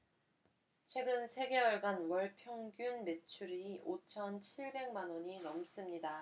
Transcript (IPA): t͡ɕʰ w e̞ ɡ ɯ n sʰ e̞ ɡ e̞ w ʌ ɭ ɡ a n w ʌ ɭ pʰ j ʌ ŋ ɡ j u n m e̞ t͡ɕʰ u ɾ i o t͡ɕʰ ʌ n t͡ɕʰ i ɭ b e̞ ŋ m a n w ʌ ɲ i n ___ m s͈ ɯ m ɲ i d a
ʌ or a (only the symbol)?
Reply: ʌ